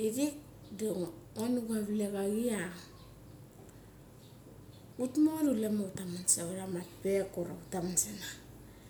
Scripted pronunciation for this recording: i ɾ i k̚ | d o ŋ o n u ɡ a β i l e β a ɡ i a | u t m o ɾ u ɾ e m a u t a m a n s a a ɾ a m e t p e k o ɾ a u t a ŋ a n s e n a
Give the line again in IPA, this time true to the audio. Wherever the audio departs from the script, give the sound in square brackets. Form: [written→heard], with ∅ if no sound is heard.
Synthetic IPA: i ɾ i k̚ | d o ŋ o n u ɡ a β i l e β a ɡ i a | u t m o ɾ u [ɾ→l] e m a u t a m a n s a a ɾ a m [e→a] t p e k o ɾ a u t a [ŋ→m] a n s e n a